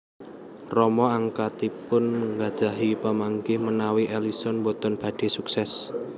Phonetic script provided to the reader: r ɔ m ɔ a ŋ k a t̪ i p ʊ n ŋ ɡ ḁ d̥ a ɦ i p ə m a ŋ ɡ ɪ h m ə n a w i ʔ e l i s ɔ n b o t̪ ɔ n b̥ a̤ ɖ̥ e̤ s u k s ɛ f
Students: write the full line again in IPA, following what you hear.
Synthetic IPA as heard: r ɔ m ɔ a ŋ k a t̪ i p ʊ n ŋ ɡ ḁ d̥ a ɦ i p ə m a ŋ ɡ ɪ h m ə n a w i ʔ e l i s ɔ n b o t̪ ɔ n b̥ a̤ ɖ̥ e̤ s u k s ɛ s